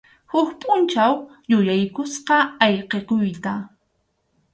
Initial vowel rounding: rounded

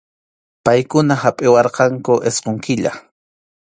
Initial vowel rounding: unrounded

